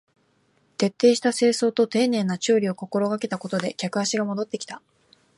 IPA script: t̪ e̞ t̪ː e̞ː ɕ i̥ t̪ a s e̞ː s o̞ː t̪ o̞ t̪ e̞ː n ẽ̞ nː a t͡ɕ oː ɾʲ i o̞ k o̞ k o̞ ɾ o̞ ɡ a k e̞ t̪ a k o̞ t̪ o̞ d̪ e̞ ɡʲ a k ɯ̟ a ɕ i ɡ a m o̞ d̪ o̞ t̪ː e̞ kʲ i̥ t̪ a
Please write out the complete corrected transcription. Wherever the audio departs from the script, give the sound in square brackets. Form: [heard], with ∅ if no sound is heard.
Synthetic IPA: t̪ e̞ t̪ː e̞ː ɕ i̥ t̪ a s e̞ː s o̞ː t̪ o̞ t̪ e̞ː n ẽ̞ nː a t͡ɕ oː ɾʲ i o̞ k o̞ k o̞ ɾ o̞ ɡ a k e̞ t̪ a k o̞ t̪ o̞ d̪ e̞ [kʲ] a k ɯ̟ a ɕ i ɡ a m o̞ d̪ o̞ t̪ː e̞ kʲ i̥ t̪ a